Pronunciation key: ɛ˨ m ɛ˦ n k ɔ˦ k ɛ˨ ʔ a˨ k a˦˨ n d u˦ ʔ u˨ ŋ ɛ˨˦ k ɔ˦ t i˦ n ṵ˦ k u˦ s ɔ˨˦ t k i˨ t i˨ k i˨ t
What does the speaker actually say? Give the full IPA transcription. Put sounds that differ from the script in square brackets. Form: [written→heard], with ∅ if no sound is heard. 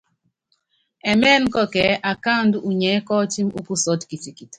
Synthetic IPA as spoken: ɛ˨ m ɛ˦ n k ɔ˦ k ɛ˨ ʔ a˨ k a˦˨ n d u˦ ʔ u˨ [ŋ→ɲ] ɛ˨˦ k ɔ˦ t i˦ [n→m] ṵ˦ k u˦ s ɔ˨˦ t k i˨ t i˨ k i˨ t